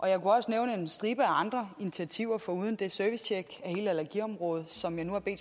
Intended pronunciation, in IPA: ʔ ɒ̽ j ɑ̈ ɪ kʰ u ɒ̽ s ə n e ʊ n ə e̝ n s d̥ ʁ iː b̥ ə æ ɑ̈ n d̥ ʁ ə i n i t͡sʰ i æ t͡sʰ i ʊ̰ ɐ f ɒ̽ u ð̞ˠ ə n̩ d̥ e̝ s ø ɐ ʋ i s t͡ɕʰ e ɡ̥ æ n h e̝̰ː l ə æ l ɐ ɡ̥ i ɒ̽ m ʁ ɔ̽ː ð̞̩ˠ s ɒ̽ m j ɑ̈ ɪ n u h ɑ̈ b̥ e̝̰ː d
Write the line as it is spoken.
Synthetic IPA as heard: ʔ ɒ̽ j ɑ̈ ɪ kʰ u ɒ̽ s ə n e ʊ n ə e̝ n s d̥ ʁ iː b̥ ə æ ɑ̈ n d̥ ʁ ɐ i n i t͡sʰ i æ t͡sʰ i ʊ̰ ɐ f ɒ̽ u ð̞ˠ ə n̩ d̥ e̝ s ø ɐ ʋ i s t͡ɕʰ e ɡ̥ æ h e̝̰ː l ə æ l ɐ ɡ̥ i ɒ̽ m ʁ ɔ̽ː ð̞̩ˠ s ɒ̽ m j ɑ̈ ɪ n u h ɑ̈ b̥ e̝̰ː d